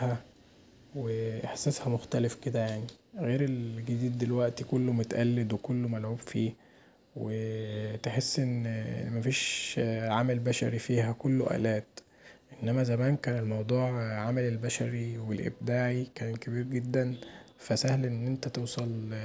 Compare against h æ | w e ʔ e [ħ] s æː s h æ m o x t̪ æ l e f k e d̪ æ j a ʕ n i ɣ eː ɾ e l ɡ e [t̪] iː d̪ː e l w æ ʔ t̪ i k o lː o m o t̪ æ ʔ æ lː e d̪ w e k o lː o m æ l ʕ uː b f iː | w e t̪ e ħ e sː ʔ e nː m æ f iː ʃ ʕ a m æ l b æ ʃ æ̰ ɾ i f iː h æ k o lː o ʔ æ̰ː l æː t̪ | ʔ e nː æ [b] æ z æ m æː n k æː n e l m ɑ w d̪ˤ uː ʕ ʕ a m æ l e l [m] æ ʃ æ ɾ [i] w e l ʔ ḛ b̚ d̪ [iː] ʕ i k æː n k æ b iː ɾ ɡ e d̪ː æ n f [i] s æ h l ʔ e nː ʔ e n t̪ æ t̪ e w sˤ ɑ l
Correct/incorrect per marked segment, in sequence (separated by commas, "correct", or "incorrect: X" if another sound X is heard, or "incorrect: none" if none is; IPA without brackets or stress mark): correct, incorrect: d̪, incorrect: m, incorrect: b, correct, incorrect: aː, incorrect: æ